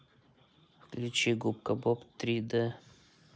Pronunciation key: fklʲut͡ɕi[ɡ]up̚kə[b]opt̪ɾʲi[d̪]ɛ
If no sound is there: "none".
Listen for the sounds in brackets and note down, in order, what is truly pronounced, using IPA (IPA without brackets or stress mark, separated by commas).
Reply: ɡ, b, d̪